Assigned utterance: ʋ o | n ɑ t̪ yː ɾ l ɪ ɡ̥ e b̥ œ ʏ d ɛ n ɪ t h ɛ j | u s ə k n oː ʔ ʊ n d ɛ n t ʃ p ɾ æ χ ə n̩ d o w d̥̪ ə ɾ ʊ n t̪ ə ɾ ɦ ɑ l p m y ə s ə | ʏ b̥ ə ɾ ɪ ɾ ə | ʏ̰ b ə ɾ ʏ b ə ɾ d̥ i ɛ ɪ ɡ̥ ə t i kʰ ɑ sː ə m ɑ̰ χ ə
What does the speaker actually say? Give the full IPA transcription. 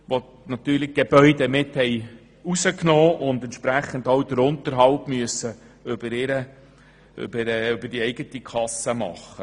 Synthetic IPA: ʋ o | n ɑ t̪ yː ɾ l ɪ ɡ̥ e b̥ œ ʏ d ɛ m ɪ t h ɛ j | u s ə k n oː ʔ ʊ n d ɛ n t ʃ p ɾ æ χ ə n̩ d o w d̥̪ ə ɾ ʊ n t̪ ə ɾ ɦ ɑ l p m y ə s ə | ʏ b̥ ə ɾ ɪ ɾ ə | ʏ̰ b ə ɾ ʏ b ə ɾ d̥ i ɛ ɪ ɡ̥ ə t i kʰ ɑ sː ə m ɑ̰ χ ə